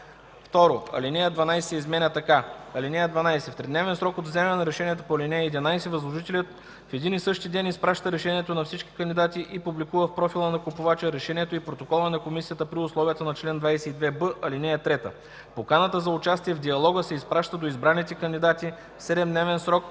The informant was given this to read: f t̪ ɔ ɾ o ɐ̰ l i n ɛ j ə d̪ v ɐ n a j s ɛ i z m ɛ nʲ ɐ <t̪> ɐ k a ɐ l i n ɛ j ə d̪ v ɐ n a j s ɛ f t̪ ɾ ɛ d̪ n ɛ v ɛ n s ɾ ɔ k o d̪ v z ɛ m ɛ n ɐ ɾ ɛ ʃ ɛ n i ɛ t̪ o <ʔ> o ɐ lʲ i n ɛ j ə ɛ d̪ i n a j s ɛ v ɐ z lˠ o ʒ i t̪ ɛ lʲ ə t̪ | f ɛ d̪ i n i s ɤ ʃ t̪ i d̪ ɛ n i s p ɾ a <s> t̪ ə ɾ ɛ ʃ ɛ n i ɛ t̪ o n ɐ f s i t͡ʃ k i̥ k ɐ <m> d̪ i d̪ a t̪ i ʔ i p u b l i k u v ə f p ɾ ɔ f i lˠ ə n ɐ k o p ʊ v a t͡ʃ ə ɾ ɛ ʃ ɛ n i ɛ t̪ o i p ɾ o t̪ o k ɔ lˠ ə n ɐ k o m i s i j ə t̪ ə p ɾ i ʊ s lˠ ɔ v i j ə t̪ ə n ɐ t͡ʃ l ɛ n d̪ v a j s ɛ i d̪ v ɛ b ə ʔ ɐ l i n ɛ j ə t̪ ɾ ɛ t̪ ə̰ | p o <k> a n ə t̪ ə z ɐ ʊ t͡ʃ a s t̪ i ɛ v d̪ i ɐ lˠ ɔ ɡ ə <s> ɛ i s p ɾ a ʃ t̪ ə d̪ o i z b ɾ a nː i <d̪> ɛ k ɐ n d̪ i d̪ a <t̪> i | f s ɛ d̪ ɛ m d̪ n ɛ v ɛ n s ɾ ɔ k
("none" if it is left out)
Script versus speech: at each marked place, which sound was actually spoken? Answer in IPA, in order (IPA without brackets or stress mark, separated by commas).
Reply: t̪, p, ʃ, n, k, s, t̪, t̪